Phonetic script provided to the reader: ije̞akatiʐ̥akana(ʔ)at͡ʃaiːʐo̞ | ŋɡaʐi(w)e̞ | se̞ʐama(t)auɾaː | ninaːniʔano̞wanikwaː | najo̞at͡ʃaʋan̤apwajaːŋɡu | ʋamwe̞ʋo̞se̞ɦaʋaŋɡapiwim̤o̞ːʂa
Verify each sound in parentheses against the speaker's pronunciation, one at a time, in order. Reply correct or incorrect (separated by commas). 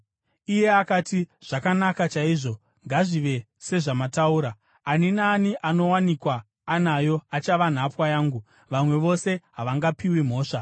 incorrect, incorrect, correct